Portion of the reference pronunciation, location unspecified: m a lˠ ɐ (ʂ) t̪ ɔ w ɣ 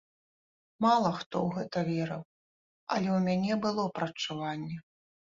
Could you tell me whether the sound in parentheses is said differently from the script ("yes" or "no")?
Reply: yes